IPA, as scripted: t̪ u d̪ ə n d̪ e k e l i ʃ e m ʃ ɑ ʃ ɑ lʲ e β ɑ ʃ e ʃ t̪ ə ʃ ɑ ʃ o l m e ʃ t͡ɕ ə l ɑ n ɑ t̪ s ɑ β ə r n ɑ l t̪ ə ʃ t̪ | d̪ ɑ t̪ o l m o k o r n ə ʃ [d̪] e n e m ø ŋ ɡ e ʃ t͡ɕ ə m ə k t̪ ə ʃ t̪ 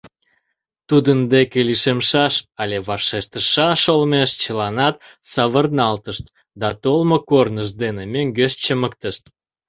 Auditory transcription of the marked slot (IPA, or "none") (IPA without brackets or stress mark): d̪